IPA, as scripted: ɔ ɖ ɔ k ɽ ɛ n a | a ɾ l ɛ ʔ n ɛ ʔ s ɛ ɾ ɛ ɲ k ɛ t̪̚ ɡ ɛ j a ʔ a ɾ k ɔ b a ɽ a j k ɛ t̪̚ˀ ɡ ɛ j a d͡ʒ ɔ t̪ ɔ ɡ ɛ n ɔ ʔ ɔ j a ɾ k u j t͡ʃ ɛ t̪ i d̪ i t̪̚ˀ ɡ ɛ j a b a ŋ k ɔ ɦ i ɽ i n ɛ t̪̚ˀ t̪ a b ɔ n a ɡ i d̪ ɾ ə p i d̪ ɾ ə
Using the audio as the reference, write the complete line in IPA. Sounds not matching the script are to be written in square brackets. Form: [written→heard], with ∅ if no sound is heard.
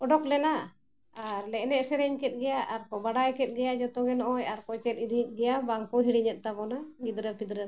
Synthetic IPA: ɔ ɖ ɔ k [ɽ→l] ɛ n a | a ɾ l ɛ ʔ n ɛ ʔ s ɛ ɾ ɛ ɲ k ɛ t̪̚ ɡ ɛ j a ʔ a ɾ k ɔ b a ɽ a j k ɛ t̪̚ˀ ɡ ɛ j a d͡ʒ ɔ t̪ ɔ ɡ ɛ n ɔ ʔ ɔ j a ɾ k [u→ɔ] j t͡ʃ ɛ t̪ i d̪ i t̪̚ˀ ɡ ɛ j a b a ŋ k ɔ ɦ i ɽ i [n→ɲ] ɛ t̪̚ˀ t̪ a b ɔ n a ɡ i d̪ ɾ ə p i d̪ ɾ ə